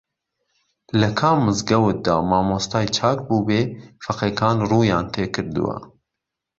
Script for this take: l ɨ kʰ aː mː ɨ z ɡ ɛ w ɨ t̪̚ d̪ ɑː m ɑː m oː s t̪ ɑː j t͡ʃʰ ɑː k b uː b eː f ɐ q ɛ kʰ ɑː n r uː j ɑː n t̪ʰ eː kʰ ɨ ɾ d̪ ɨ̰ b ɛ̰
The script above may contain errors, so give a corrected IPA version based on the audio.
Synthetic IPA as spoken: l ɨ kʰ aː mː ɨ z ɡ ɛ w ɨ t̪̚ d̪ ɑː m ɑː m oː s t̪ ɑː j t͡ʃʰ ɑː k b uː b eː f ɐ q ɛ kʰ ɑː n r uː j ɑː n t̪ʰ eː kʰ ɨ ɾ d̪ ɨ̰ w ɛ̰